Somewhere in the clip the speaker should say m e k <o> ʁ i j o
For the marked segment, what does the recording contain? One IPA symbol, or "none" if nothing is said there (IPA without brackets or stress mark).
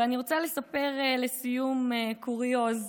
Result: u